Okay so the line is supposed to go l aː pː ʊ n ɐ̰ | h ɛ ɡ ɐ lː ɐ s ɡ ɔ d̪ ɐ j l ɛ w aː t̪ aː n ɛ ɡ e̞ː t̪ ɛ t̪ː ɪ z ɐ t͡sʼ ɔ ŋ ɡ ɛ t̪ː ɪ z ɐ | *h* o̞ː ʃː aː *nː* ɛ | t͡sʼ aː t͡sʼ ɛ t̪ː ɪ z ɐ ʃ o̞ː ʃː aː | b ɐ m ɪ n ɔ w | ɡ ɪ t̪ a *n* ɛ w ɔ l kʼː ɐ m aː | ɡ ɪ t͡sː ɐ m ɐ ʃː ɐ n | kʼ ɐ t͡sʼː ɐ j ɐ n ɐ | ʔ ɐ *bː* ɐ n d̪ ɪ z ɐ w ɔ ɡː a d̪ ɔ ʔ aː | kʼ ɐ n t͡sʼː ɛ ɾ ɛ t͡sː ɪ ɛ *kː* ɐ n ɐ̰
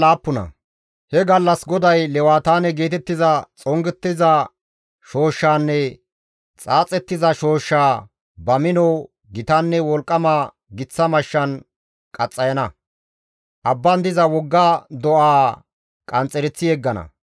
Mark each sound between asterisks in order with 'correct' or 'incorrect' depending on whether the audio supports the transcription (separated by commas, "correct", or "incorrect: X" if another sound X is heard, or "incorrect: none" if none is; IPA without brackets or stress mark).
incorrect: ʃ, correct, incorrect: nː, correct, incorrect: ɡː